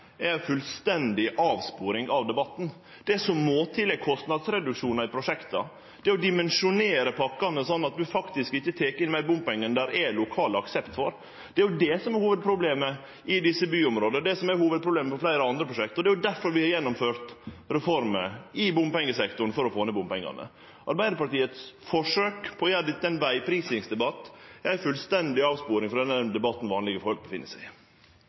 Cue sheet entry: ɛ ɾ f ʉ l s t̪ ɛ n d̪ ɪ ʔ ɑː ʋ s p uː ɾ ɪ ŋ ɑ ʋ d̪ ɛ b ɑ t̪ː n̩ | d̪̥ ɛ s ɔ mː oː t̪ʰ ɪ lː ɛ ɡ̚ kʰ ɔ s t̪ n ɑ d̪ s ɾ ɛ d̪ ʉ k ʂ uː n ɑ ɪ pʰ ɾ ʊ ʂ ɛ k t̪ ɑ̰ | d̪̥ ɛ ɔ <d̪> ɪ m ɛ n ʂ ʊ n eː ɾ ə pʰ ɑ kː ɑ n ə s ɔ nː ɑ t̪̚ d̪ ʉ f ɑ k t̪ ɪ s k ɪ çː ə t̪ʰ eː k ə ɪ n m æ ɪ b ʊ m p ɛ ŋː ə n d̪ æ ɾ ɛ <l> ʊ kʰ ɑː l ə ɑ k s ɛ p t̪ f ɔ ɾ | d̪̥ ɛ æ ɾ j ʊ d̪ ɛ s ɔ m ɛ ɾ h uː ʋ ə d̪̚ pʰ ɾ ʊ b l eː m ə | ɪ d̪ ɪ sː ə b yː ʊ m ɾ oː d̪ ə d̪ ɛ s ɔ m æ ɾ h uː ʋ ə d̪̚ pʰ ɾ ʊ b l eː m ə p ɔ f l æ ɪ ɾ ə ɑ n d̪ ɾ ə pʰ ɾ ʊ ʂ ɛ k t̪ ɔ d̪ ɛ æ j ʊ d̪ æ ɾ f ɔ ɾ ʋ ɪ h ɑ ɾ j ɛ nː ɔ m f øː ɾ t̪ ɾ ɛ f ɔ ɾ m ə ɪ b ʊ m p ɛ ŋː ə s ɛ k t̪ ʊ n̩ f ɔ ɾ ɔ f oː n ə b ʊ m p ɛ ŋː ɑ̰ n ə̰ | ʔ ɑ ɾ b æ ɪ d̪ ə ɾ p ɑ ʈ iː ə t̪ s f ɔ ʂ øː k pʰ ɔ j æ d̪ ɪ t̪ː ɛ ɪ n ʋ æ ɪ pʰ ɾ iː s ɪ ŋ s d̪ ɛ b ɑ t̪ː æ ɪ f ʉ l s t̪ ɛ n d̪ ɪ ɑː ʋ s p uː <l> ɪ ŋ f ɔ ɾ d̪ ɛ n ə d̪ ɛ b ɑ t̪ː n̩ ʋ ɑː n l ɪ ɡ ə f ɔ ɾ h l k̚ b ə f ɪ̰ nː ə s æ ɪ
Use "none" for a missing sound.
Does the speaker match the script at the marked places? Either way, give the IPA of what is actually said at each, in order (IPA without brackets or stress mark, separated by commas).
d̪, l, ɾ